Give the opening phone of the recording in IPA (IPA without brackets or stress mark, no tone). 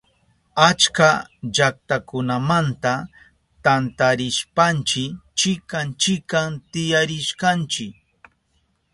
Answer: a